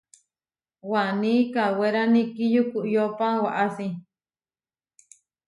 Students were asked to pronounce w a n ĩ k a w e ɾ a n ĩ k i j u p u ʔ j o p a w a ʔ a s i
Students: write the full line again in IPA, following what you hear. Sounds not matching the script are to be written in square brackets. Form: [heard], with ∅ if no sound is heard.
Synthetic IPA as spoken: w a n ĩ k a w e ɾ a n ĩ k i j u [k] u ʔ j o p a w a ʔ a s i